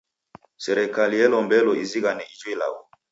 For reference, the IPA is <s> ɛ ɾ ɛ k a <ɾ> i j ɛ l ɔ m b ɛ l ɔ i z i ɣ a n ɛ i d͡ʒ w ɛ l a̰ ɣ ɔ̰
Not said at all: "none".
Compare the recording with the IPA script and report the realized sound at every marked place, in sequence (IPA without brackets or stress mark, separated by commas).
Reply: s, l